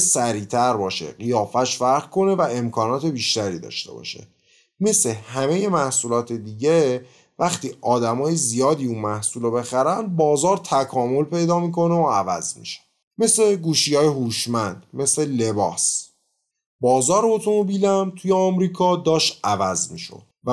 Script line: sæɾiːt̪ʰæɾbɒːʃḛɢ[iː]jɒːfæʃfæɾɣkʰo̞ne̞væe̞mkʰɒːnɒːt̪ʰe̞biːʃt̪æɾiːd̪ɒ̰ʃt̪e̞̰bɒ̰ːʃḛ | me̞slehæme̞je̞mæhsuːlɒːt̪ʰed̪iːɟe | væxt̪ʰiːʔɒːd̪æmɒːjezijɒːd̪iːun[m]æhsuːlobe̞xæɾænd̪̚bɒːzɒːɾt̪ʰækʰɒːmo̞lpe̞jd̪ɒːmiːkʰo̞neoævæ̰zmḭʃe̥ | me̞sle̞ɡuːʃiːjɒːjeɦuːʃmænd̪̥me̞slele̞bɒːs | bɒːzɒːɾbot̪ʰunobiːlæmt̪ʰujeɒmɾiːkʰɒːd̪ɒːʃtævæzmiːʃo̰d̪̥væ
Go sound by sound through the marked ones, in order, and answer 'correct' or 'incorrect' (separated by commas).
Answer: incorrect, correct